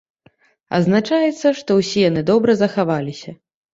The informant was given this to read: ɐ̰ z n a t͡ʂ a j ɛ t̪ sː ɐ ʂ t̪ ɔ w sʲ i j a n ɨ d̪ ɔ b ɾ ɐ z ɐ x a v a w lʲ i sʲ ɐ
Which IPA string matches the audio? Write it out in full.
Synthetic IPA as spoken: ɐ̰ z n a t͡ʂ a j ɛ t̪ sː ɐ ʂ t̪ ɔ w sʲ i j a n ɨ d̪ ɔ b ɾ ɐ z ɐ x a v a lʲ i sʲ ɐ